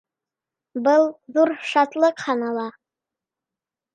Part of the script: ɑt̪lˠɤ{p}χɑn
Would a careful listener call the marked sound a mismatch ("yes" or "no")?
yes